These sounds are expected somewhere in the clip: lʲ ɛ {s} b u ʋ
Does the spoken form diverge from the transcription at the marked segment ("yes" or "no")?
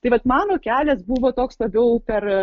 no